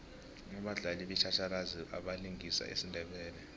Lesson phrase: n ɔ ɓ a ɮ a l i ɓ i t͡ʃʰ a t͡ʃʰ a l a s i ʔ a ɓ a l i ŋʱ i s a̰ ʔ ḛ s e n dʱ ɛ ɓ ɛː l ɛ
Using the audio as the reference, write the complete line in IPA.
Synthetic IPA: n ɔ ɓ a ɮ a l i ɓ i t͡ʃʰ a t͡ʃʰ a l a z i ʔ a ɓ a l i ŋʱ i s a̰ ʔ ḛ s i n dʱ ɛ ɓ ɛː l ɛ